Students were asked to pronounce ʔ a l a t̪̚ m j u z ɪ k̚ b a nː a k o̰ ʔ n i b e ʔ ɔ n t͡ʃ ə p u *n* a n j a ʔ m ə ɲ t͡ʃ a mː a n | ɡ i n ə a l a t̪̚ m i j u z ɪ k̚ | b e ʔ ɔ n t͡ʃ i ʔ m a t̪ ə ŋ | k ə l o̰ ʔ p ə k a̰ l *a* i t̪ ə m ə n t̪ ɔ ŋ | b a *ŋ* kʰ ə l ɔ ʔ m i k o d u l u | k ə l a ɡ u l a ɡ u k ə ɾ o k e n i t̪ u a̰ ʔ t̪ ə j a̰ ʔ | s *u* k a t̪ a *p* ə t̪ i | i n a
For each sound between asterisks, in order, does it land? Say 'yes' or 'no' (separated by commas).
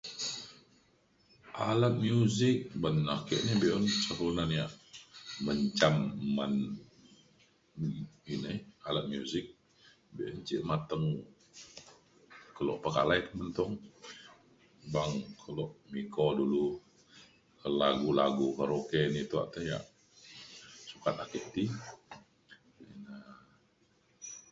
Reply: yes, yes, yes, yes, no